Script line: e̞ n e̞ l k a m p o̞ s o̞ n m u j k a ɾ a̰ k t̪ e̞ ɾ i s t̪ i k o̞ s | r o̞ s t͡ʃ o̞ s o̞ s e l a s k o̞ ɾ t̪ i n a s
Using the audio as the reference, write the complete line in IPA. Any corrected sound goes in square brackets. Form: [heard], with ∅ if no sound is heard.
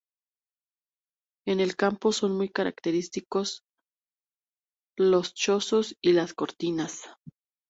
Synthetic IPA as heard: e̞ n e̞ l k a m p o̞ s o̞ n m u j k a ɾ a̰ k t̪ e̞ ɾ i s t̪ i k o̞ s | [l] o̞ s t͡ʃ o̞ s o̞ s [i] l a s k o̞ ɾ t̪ i n a s